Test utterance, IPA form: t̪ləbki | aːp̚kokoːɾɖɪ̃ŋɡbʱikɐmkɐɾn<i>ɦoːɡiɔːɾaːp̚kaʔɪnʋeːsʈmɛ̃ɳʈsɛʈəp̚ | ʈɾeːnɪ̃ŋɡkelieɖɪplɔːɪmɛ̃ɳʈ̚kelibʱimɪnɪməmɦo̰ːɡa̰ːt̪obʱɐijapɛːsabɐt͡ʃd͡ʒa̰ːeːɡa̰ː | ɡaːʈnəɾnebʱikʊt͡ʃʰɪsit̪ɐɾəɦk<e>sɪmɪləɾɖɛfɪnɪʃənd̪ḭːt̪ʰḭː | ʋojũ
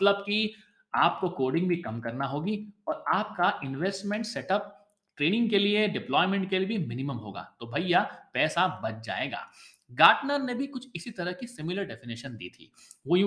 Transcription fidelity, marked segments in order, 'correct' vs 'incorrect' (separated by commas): incorrect, incorrect